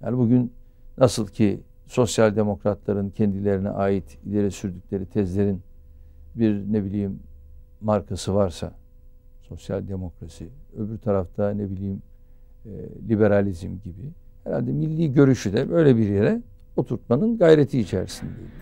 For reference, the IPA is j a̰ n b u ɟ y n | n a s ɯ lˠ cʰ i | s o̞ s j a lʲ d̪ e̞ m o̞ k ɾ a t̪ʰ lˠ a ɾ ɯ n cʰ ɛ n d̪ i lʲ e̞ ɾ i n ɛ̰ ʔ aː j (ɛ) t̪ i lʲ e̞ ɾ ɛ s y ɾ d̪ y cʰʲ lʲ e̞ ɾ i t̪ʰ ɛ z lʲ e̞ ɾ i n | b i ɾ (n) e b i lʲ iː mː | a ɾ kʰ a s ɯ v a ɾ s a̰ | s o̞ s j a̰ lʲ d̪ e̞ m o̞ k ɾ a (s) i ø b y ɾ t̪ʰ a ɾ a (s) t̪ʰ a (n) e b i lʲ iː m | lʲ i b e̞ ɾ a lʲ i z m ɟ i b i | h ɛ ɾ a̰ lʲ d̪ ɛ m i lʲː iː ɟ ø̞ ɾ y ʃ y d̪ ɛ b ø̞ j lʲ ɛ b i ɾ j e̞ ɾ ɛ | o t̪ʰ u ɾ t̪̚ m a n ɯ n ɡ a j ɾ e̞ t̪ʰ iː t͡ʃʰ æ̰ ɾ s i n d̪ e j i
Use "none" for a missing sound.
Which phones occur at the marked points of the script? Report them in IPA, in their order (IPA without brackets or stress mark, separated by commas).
i, n, s, f, n